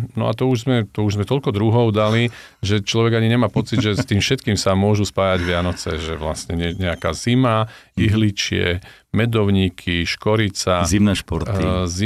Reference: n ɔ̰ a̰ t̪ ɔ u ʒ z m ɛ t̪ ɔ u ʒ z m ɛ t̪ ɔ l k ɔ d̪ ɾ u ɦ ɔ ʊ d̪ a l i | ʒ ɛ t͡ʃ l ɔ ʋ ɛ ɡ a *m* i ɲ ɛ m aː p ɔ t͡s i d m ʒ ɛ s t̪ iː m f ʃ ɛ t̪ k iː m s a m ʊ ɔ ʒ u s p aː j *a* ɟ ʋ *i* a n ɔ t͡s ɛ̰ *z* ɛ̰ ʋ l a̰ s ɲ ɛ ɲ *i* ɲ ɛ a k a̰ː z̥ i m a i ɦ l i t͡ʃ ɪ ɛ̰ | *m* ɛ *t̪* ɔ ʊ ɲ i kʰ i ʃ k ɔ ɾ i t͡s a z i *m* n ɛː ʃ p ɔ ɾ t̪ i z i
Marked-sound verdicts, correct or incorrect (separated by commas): incorrect, correct, incorrect, incorrect, incorrect, correct, incorrect, correct